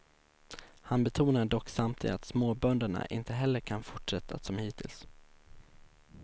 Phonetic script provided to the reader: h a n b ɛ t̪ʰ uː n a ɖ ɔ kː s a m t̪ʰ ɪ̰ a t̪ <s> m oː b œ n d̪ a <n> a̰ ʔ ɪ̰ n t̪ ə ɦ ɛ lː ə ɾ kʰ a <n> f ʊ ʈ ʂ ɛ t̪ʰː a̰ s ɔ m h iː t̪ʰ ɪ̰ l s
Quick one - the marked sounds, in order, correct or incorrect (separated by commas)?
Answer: correct, incorrect, correct